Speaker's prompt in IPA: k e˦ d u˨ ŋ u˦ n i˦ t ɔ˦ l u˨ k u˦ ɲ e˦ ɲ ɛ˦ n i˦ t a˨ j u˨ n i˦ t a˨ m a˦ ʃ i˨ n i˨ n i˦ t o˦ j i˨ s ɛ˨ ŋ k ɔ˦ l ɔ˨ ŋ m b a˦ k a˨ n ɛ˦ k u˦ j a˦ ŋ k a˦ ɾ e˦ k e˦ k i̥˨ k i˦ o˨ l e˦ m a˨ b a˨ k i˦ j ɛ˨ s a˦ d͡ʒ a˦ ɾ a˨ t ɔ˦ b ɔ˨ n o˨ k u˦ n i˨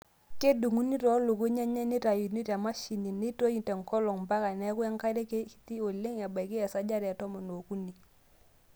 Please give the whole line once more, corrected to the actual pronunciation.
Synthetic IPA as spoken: k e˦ d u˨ ŋ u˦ n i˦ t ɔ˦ l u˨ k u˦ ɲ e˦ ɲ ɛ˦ n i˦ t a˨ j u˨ n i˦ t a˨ m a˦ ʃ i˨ n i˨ n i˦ t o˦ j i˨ t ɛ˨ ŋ k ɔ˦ l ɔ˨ ŋ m b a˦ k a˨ n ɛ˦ k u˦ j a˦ ŋ k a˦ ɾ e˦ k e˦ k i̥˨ t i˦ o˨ l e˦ ŋ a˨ b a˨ k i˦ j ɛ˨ s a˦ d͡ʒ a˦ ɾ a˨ t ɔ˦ m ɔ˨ n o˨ k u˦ n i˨